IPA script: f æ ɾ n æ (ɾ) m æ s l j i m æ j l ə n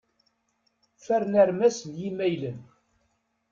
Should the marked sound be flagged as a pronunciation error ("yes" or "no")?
no